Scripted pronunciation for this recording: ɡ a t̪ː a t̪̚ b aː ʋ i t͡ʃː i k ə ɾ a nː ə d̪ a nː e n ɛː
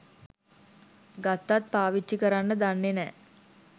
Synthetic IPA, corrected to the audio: ɡ a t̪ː a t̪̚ p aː ʋ i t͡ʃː i k ə ɾ a nː ə d̪ a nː e n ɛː